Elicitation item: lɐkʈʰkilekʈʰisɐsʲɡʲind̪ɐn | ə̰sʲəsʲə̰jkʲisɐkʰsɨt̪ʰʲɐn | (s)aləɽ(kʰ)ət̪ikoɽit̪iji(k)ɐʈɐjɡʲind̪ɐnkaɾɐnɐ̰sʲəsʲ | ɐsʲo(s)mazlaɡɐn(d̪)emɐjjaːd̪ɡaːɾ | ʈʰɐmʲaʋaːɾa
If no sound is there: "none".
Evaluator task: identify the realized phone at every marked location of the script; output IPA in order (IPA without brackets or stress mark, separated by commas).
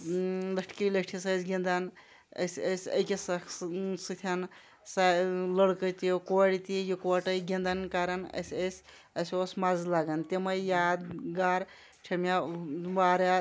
s, k, k, s, t̪